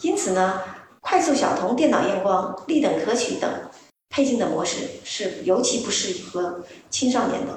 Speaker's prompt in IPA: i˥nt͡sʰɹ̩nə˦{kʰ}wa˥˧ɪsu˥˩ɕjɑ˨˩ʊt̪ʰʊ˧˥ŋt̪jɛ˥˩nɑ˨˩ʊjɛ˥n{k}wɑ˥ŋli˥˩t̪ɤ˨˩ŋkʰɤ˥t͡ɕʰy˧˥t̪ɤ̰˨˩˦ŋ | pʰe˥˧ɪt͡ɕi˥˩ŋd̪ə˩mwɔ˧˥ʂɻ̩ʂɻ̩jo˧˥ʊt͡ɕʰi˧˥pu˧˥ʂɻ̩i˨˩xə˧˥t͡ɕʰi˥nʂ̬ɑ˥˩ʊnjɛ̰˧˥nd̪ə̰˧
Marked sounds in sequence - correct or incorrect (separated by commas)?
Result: correct, correct